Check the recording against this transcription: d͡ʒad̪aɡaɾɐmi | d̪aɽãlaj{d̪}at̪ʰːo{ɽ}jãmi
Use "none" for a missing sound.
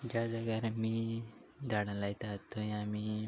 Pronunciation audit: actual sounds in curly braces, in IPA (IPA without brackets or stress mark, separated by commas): t̪, none